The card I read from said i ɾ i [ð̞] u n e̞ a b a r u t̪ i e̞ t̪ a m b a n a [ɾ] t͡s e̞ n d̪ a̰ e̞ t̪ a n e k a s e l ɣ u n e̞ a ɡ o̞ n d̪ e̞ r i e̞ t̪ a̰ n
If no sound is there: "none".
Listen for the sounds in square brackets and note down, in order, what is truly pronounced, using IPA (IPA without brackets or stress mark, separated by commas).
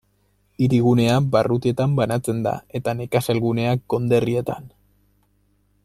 ɣ̞, none